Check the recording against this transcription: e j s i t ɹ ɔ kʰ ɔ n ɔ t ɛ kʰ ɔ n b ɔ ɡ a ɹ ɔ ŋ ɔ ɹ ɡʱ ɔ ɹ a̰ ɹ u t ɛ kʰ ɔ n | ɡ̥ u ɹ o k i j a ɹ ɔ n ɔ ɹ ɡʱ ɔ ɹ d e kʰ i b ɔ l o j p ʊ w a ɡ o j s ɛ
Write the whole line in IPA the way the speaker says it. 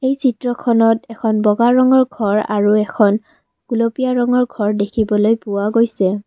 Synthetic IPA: e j s i t ɹ ɔ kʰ ɔ n ɔ t ɛ kʰ ɔ n b ɔ ɡ a ɹ ɔ ŋ ɔ ɹ ɡʱ ɔ ɹ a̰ ɹ u ɛ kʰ ɔ n | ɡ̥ u l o p i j a ɹ ɔ ŋ ɔ ɹ ɡʱ ɔ ɹ d e kʰ i b ɔ l o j p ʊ w a ɡ o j s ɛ